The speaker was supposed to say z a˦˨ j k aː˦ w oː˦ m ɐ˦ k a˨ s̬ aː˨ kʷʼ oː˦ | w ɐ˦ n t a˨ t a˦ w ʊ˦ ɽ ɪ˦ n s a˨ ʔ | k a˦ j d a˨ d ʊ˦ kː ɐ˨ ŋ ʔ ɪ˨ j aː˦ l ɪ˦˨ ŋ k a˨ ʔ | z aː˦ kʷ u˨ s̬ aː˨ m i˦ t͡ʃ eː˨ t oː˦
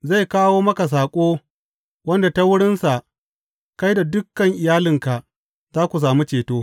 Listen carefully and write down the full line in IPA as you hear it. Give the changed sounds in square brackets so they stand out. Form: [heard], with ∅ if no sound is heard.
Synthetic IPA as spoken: z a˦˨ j k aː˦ w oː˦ m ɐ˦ k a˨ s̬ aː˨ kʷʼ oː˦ | w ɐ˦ n [d] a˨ t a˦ w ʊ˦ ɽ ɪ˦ n s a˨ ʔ | k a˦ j d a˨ d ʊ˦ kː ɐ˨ ŋ ʔ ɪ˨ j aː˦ l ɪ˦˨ ŋ k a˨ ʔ | z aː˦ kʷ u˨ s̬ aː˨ m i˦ t͡ʃ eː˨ t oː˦